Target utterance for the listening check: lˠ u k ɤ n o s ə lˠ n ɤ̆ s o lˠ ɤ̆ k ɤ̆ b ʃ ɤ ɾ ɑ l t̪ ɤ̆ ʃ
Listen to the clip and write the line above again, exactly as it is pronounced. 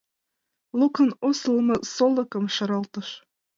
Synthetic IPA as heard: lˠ u k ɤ n o s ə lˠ m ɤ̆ s o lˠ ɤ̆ k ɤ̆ m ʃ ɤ ɾ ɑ l t̪ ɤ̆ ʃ